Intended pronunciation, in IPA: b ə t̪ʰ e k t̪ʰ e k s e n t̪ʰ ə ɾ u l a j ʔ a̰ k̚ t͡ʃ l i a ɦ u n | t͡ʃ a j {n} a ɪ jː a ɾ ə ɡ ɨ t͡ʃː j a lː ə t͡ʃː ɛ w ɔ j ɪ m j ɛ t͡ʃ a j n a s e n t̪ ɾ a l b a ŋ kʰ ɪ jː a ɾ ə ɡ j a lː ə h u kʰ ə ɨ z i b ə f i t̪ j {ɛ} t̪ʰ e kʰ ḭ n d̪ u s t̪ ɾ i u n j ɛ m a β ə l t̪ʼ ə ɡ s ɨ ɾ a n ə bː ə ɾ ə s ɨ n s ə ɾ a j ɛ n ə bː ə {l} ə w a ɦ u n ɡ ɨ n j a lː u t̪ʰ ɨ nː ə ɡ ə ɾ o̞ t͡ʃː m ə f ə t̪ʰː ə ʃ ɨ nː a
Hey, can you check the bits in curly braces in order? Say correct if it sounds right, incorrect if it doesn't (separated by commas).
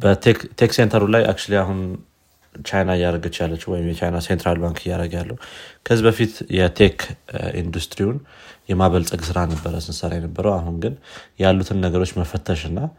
correct, correct, incorrect